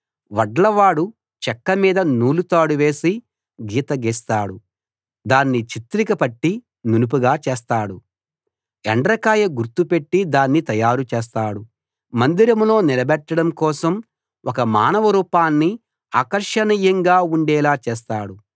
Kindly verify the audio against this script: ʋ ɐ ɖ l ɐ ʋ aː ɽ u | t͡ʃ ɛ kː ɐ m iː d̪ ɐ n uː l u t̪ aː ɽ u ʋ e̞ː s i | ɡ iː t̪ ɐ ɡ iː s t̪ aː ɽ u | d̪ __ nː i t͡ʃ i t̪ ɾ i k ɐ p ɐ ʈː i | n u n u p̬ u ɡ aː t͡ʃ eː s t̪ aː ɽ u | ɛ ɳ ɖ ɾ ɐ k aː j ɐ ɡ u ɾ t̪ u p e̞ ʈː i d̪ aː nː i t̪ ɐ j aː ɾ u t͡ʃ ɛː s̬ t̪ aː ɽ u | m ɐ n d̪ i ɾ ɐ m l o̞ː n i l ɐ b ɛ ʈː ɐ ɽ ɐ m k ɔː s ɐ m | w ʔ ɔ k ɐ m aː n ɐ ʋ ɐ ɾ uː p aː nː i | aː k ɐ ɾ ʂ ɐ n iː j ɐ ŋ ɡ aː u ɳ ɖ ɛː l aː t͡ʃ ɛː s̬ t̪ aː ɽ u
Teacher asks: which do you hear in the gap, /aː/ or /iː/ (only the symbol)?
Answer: aː